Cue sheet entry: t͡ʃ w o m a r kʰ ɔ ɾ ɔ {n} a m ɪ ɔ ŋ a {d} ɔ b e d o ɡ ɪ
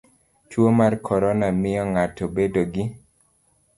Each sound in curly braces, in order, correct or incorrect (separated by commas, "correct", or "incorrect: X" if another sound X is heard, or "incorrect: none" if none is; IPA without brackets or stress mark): correct, incorrect: t